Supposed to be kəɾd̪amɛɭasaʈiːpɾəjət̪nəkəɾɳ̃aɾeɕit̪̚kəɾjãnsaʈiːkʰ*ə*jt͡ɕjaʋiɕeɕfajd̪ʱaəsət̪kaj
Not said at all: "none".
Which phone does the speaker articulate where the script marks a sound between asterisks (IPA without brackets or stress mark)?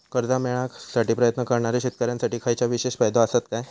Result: a